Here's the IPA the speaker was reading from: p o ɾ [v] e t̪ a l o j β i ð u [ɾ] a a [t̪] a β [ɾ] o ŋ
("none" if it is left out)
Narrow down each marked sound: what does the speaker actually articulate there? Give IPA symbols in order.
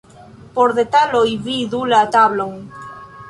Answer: ð, l, t̪, l

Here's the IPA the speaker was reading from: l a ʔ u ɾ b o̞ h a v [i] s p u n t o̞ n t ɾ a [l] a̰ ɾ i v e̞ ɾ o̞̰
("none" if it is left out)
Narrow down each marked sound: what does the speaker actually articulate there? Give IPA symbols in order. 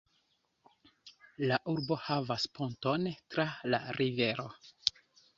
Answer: a, l

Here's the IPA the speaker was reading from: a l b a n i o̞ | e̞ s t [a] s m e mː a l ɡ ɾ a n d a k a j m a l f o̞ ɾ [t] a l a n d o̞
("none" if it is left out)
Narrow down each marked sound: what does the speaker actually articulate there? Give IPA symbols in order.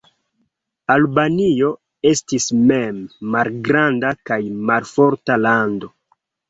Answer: i, t

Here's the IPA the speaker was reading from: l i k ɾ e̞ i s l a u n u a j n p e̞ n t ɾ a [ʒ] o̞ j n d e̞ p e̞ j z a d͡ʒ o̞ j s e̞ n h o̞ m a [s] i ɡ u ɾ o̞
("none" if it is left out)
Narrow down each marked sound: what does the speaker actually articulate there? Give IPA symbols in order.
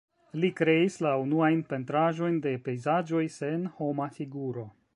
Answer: ʒ, f

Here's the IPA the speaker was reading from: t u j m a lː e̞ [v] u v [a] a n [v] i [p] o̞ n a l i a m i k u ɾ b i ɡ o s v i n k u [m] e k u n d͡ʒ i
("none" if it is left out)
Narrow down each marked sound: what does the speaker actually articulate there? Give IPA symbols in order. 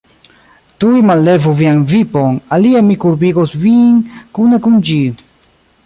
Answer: v, i, v, p, n

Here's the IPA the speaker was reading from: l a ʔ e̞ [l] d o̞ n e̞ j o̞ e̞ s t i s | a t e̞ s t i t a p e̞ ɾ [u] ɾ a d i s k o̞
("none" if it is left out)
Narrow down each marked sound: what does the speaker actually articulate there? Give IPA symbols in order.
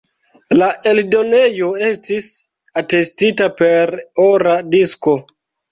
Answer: l, o

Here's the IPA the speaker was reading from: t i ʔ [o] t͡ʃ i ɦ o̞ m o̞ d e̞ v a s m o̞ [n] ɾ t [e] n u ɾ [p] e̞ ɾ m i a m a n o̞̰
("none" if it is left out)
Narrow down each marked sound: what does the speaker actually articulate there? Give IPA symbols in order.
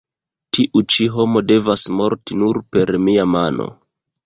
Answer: u, none, i, p

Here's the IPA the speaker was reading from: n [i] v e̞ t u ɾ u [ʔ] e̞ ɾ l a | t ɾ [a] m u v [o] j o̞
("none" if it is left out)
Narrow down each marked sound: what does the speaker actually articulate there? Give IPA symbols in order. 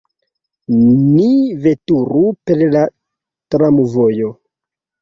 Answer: i, p, a, o

